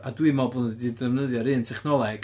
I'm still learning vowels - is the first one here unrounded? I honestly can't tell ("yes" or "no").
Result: yes